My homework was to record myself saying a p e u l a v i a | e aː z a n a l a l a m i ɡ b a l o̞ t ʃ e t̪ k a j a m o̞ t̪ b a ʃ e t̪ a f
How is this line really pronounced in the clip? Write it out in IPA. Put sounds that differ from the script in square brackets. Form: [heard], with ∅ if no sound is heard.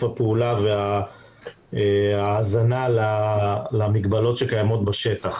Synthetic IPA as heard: a p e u l a v [e] a | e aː z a n a l a l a m i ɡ b a l o̞ t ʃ e [∅] k a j a m o̞ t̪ b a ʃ e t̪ a [χ]